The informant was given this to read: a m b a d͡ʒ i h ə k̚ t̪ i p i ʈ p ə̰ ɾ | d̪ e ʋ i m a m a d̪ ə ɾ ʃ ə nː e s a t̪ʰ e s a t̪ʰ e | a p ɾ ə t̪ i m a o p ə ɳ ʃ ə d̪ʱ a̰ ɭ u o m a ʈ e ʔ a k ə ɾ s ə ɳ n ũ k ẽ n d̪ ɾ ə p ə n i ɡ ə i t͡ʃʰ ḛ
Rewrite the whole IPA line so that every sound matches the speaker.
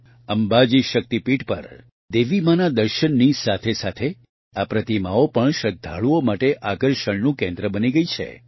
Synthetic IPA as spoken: ə m b a d͡ʒ i ʃ ə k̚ t̪ i p i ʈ p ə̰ ɾ | d̪ e ʋ i m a n a d̪ ə ɾ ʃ ə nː i s a t̪ʰ e s a t̪ʰ e | a p ɾ ə t̪ i m a o p ə ɳ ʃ ə d̪ʱ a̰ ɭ u o m a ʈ e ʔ a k ə ɾ ʃ ə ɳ n ũ k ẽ n d̪ ɾ ə b ə n i ɡ ə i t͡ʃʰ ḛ